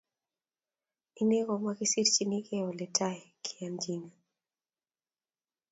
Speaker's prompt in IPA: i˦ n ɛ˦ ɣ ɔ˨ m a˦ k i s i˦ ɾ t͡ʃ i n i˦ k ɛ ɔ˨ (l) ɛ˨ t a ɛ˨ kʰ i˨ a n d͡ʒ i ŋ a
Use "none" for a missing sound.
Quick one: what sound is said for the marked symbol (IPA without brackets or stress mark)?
l